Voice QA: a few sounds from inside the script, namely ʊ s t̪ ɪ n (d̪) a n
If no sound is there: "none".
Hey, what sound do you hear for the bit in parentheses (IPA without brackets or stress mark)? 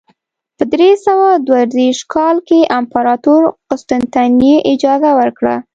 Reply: t̪